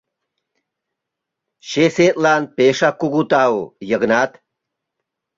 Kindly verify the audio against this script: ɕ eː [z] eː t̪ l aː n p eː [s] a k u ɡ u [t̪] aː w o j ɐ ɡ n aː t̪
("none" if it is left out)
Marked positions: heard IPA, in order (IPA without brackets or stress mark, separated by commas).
s, ʂ, t̪